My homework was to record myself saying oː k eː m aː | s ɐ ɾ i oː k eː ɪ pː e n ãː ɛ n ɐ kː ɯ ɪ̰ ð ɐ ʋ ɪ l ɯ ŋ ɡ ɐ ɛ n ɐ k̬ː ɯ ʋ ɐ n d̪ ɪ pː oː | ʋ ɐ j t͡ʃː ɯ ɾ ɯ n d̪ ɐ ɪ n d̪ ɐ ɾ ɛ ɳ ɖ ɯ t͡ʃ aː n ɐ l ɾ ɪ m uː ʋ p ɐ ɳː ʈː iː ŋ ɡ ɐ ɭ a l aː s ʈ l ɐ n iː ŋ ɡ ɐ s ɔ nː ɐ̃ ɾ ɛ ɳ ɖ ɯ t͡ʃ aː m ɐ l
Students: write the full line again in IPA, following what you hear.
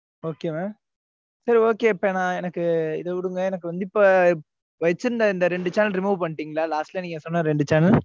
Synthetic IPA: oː k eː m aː | s ɐ ɾ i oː k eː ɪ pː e n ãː ɛ n ɐ kː ɯ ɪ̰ ð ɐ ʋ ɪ ɽ ɯ ŋ ɡ ɐ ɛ n ɐ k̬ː ɯ ʋ ɐ n d̪ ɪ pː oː | ʋ ɐ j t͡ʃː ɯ ɾ ɯ n d̪ ɐ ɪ n d̪ ɐ ɾ ɛ ɳ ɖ ɯ t͡ʃ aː n ɐ l ɾ ɪ m uː ʋ p ɐ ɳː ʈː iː ŋ ɡ ɐ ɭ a l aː s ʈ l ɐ n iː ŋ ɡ ɐ s ɔ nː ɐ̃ ɾ ɛ ɳ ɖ ɯ t͡ʃ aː n ɐ l